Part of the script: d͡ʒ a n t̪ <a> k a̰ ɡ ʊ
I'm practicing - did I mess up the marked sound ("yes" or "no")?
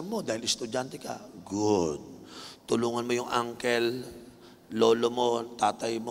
yes